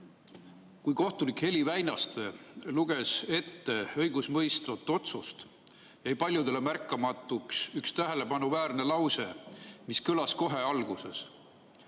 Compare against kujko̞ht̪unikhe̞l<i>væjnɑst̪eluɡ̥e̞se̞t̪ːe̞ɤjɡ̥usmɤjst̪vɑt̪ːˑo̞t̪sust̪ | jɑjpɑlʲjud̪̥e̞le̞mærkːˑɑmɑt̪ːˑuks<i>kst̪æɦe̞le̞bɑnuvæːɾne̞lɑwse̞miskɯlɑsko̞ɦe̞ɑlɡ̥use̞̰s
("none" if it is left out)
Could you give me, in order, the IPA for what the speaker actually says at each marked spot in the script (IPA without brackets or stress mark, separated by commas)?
i, y